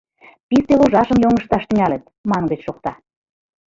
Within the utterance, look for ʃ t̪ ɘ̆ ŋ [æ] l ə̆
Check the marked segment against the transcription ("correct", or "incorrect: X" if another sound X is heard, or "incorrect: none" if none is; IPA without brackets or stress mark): correct